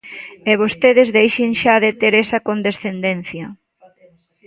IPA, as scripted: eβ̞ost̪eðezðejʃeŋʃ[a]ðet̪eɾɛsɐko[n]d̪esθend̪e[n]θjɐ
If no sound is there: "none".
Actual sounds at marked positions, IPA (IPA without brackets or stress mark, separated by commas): a, n, n